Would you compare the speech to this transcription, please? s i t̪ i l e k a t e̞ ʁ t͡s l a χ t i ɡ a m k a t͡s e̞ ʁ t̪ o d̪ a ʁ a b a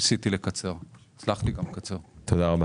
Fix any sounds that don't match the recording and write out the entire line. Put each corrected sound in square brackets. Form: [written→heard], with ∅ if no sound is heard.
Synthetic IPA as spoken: s i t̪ i l e k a [t→t͡s] e̞ ʁ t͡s l a χ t i ɡ a m k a t͡s e̞ ʁ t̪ o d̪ a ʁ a b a